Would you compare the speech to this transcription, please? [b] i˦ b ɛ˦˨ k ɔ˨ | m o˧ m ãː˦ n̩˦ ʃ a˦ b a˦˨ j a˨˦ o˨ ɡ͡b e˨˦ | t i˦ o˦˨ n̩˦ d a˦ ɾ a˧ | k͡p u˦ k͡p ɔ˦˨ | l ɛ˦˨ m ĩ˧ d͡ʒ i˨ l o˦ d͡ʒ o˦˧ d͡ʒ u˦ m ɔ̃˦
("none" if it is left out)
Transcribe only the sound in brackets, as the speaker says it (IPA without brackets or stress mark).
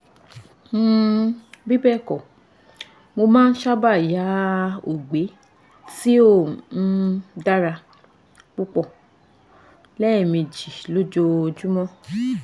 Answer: b